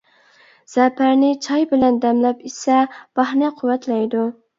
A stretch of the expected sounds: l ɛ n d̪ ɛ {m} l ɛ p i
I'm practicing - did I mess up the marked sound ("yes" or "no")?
no